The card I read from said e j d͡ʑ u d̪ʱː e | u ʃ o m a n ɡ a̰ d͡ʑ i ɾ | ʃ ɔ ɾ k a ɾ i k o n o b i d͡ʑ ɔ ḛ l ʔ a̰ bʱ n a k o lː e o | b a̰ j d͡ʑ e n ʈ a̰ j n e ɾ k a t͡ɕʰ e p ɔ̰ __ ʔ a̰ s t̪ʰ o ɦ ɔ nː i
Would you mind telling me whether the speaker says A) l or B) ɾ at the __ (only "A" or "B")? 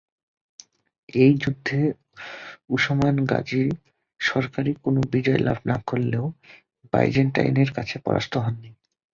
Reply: B